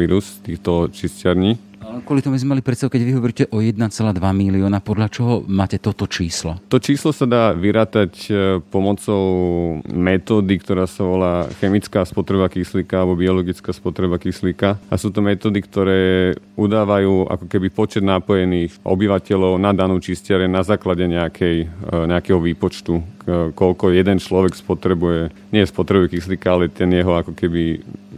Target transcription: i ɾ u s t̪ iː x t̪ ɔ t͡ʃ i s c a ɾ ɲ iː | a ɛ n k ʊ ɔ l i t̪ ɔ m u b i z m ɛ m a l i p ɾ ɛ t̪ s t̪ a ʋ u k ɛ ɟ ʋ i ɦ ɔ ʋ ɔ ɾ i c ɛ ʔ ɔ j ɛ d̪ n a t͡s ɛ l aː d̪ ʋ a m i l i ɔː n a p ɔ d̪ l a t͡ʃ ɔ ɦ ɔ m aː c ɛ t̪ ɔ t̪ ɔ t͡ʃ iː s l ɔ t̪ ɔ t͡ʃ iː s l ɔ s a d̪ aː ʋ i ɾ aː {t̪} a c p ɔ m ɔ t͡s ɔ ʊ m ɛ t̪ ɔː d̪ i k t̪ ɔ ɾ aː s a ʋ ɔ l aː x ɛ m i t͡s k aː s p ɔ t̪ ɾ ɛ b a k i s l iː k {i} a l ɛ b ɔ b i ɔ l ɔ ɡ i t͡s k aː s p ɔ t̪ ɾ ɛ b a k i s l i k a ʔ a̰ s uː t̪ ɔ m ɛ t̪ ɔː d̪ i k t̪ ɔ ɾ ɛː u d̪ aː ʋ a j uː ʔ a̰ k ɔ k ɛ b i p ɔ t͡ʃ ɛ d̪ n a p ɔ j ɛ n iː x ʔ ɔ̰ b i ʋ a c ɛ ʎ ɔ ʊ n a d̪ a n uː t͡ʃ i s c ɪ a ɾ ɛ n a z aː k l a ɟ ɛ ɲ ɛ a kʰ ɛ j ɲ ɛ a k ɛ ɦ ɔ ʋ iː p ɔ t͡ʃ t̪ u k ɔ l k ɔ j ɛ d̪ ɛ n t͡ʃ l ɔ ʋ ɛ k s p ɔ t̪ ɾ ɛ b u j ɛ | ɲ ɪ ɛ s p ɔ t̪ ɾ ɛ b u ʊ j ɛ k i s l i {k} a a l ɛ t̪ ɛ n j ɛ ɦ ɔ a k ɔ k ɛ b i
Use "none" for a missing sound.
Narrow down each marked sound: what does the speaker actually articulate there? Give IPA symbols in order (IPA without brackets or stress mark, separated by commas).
t̪, a, k